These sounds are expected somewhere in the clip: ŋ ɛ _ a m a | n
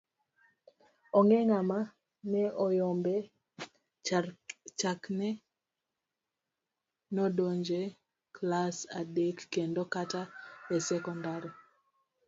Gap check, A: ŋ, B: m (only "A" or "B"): A